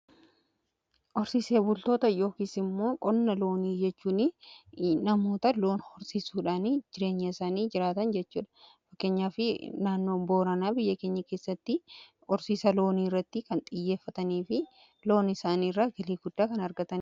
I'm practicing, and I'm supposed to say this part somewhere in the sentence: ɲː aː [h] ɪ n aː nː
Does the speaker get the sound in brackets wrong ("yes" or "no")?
yes